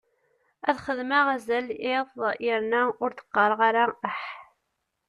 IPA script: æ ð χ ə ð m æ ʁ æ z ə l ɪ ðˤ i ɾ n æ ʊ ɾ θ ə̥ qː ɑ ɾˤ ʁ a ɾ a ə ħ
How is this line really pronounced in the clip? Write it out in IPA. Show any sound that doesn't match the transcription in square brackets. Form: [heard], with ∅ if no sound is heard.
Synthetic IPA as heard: æ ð χ ə ð m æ ʁ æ z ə l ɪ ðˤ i ɾ n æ ʊ ɾ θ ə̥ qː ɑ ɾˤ ʁ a ɾ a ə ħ